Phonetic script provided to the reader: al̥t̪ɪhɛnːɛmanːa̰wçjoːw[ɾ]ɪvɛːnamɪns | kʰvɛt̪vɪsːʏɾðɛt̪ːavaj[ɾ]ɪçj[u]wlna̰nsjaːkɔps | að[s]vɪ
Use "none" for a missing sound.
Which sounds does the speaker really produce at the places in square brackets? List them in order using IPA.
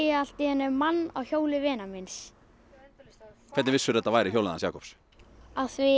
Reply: l, ɾ, o, θ

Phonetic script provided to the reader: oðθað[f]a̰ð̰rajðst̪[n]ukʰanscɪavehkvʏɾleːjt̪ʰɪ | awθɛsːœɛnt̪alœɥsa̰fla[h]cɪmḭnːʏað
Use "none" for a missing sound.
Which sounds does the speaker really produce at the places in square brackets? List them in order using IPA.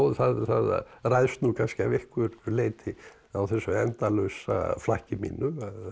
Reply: θ, n, h

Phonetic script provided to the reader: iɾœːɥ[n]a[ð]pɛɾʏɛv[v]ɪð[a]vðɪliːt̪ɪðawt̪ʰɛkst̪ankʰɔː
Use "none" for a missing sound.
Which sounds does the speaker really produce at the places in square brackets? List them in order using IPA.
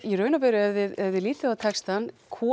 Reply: n, none, ð, ɛ

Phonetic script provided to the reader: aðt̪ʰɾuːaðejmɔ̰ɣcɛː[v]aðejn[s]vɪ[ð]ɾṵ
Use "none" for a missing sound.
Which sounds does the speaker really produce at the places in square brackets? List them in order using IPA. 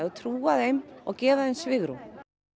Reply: v, s, ɣ

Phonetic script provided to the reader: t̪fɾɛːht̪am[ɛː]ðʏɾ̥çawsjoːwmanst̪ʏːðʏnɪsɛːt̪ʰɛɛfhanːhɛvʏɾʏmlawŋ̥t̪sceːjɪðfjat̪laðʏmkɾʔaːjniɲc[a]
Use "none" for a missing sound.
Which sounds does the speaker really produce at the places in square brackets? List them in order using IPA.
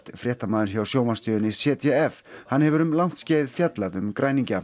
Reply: aː, a

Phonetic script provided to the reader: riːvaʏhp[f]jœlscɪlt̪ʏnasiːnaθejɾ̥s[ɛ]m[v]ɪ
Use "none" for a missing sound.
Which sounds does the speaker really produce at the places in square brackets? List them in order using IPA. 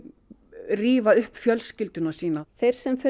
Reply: f, ɛ, f

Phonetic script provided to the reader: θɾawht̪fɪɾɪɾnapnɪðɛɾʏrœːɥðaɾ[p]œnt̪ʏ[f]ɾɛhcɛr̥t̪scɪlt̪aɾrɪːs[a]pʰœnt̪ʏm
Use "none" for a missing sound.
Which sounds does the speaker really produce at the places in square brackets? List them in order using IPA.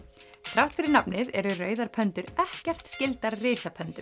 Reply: pʰ, none, a

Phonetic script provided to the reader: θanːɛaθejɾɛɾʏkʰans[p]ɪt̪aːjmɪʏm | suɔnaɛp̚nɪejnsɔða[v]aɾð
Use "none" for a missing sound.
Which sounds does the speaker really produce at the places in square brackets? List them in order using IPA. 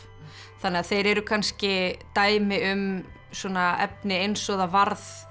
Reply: c, v

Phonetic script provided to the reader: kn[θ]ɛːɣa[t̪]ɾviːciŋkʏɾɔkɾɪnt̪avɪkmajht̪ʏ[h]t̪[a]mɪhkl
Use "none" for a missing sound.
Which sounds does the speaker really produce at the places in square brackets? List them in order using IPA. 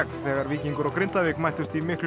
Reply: θ, none, s, i

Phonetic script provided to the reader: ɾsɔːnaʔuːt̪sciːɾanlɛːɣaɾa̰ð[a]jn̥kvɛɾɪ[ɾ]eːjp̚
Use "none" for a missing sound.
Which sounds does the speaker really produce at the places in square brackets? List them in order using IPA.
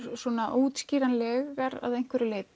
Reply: e, l

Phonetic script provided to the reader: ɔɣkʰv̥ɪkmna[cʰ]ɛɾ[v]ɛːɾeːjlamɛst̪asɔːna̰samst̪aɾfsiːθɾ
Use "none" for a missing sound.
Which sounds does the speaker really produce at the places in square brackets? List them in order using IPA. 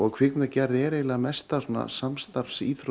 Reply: c, ð

